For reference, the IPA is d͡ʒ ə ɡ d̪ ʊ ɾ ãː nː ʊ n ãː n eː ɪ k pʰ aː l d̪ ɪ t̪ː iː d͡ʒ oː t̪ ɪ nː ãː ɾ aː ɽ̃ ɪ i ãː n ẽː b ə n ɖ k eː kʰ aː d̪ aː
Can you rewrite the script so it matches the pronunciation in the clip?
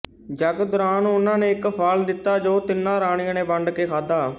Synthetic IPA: d͡ʒ ə ɡ d̪ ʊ ɾ aː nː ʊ n ãː n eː ɪ k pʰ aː l d̪ ɪ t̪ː aː d͡ʒ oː t̪ ɪ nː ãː ɾ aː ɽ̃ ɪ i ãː n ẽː b ə ɳ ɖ k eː kʰ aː d̪ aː